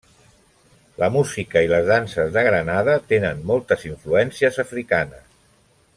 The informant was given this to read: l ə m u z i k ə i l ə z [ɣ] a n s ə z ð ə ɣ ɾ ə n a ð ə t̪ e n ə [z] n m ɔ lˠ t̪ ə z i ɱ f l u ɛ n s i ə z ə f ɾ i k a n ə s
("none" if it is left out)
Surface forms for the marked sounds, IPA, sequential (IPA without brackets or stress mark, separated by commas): ð, none